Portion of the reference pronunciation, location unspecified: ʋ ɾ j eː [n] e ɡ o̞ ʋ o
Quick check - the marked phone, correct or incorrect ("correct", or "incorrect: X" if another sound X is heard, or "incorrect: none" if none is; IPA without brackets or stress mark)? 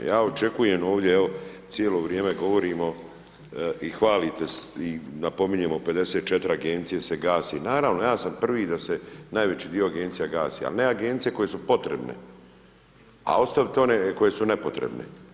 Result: incorrect: m